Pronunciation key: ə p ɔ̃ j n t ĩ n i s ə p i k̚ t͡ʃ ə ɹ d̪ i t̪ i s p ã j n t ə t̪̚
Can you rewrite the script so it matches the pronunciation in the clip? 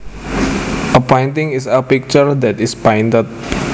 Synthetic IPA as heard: ə p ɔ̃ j n t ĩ ŋ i s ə p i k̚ t͡ʃ ə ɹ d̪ ɛ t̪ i s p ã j n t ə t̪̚

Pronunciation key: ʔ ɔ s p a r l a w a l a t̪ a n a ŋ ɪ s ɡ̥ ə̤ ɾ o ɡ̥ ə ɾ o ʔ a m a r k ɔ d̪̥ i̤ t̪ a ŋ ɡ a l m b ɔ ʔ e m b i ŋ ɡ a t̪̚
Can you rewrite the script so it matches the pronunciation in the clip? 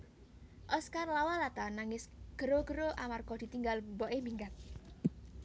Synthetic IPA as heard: ʔ ɔ s k a r l a w a l a t̪ a n a ŋ ɪ s ɡ̥ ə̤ ɾ o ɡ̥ ə ɾ o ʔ a m a r k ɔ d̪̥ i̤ t̪ i ŋ ɡ a l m b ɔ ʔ e m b i ŋ ɡ a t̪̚

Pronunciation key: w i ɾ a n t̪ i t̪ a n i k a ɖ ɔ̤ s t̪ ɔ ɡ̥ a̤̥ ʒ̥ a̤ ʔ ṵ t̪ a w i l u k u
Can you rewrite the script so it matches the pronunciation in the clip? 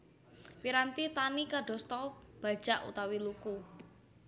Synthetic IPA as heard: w i ɾ a n t̪ i t̪ a n i k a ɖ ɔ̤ s t̪ ɔ b̥ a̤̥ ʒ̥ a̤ ʔ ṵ t̪ a w i l u k u

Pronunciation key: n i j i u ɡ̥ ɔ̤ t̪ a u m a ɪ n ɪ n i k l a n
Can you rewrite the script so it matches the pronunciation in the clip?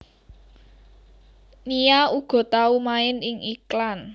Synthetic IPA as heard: n i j a u ɡ̥ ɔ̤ t̪ a u m a ɪ n ɪ ŋ i k l a n

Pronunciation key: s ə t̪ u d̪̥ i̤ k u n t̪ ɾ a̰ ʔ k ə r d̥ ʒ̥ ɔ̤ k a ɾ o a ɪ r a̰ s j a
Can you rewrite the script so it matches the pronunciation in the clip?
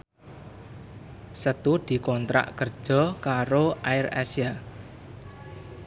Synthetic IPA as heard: s ə t̪ u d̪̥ i̤ k ɔ n t̪ ɾ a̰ ʔ k ə r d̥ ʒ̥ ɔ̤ k a ɾ o a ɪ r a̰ s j a

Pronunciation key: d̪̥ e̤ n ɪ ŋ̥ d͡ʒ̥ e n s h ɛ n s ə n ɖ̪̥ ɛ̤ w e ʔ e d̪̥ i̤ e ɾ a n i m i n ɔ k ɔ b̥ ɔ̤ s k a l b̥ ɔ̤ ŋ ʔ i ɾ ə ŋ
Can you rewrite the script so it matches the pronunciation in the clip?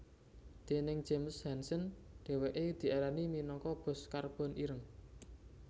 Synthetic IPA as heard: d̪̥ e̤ n ɪ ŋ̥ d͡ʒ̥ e m s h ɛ n s ə n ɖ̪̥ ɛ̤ w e ʔ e d̪̥ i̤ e ɾ a n i m i n ɔ k ɔ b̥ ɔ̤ s k a r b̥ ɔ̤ n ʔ i ɾ ə ŋ

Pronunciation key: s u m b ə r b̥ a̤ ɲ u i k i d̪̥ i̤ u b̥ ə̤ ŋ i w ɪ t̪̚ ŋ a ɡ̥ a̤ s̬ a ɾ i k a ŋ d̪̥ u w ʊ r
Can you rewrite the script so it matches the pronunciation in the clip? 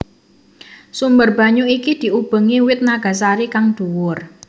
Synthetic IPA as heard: s u m b ə r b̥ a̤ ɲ u i k i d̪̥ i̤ u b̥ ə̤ ŋ i w ɪ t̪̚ n a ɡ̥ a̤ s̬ a ɾ i k a ŋ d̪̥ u w ʊ r

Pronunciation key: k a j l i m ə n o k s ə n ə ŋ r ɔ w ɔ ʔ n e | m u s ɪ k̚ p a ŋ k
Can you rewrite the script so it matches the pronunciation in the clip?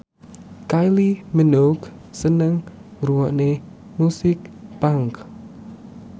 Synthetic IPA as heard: k a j l i m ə n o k s ə n ə ŋ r u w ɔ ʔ n e | m u s ɪ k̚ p a ŋ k

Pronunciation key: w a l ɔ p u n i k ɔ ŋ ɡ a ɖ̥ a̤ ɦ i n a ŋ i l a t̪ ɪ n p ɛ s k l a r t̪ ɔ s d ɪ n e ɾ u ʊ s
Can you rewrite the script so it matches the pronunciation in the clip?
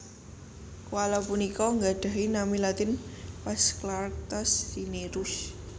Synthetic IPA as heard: w a l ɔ p u n i k ɔ ŋ ɡ a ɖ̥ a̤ ɦ i n a m i l a t̪ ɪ n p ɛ s k l a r t̪ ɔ s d i n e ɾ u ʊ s

